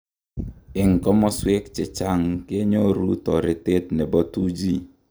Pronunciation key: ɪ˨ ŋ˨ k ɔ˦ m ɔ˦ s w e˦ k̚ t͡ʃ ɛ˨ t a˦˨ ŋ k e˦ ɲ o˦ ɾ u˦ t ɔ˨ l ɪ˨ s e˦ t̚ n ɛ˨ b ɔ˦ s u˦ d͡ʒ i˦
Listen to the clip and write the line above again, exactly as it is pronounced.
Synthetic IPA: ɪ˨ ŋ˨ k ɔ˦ m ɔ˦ s w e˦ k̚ t͡ʃ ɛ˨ t͡ʃ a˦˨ ŋ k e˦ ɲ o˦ ɾ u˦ t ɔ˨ ɾ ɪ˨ t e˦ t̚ n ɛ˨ b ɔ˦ t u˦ d͡ʒ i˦